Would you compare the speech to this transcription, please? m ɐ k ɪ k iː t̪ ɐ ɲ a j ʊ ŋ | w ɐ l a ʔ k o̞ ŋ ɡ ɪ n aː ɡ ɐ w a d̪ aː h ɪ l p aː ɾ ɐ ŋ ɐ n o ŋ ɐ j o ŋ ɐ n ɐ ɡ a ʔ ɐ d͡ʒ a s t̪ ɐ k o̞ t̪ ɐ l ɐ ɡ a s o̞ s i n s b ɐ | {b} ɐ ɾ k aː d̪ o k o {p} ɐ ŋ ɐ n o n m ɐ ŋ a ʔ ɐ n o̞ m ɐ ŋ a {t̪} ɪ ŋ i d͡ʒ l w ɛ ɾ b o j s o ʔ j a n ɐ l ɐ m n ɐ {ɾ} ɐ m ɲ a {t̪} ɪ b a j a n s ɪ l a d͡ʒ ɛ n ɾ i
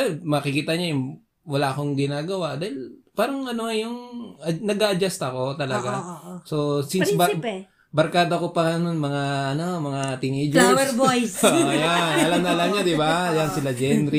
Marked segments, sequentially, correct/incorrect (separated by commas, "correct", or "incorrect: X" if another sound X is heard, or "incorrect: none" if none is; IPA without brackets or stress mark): correct, correct, correct, incorrect: l, incorrect: d̪